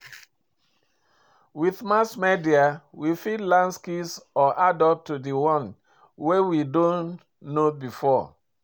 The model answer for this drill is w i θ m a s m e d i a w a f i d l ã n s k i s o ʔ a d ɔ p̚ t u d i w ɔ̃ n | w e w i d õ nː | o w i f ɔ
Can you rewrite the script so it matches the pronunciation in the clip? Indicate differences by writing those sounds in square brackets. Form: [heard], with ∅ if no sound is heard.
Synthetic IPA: w i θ m a s m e d i a w [i] f i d l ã n s k i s [ɔ] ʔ a d ɔ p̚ t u d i w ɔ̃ n | w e w i d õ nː | o [b] i f ɔ

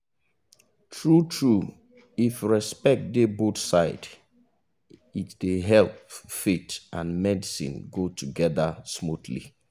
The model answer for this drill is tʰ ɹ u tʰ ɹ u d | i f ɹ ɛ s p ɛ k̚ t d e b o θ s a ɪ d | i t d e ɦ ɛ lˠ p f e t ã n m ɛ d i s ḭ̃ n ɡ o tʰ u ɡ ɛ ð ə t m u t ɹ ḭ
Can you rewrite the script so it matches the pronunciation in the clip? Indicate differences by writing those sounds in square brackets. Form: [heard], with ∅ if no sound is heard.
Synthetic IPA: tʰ ɹ u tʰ ɹ u [∅] | i f ɹ ɛ s p ɛ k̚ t d e b o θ s a ɪ d | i t d e ɦ ɛ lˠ p f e t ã n m ɛ d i s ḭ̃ n ɡ o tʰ u ɡ ɛ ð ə [s] m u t [l] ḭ

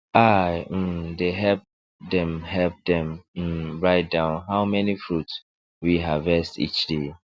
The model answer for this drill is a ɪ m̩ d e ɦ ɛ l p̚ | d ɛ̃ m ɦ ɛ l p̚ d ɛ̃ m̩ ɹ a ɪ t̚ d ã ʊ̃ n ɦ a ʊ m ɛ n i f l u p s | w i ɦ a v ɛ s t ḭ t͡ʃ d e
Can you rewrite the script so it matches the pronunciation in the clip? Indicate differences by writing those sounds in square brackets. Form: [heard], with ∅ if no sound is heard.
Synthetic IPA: a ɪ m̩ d e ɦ ɛ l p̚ | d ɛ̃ m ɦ ɛ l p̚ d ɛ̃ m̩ ɹ a ɪ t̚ d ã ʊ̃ n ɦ a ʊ m ɛ n i f [ɹ] u [t] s | w i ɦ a v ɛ s t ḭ t͡ʃ d e

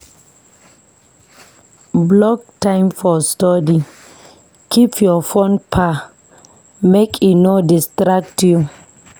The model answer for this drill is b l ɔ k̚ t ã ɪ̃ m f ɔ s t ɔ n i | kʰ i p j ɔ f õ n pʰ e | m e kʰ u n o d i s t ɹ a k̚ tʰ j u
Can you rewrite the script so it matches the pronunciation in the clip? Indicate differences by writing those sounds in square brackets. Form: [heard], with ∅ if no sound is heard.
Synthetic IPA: b l ɔ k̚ t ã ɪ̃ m f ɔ s t ɔ [d] i | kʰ i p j ɔ f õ n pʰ [a] | m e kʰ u n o d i s t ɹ a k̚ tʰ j u

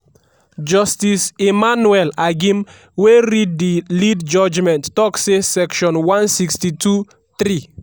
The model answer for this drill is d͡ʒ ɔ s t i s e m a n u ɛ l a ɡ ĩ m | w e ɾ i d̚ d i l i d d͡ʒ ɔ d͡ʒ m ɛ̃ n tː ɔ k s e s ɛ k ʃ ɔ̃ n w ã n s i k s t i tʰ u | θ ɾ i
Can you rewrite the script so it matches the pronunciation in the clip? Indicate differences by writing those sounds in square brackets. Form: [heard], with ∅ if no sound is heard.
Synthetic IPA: d͡ʒ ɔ s t i s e m a n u ɛ l a ɡ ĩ m | w e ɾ i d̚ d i l i d d͡ʒ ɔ d͡ʒ m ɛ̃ n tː ɔ k s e s ɛ k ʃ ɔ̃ n w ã n s i k s t i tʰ u | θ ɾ i

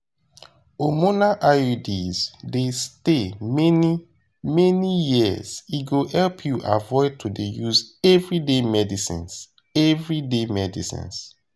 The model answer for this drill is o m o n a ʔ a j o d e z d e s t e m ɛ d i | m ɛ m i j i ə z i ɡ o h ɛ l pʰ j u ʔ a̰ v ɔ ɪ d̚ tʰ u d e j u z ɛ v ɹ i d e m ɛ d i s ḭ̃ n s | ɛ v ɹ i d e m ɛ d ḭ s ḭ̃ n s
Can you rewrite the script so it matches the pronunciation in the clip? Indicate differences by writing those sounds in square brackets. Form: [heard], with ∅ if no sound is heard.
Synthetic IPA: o m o n a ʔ a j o d [i] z d e s t e m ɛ [n] i | m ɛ [n] i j i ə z i ɡ o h ɛ l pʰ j u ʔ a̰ v ɔ ɪ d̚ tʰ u d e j u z ɛ v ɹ i d e m ɛ d i s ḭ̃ n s | ɛ v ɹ i d e m ɛ d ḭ s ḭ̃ n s

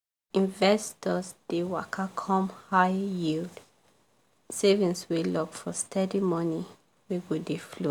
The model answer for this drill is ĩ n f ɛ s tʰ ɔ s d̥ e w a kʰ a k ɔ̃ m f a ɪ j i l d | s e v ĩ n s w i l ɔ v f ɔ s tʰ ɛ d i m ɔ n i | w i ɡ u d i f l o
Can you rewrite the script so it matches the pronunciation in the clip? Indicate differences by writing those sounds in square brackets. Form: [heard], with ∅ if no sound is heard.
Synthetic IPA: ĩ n [v] ɛ s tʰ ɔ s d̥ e w a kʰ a [kʰ] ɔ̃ m [h] a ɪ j i l d | s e v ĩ n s w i l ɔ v f ɔ s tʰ ɛ d i m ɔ n i | w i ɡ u d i f l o

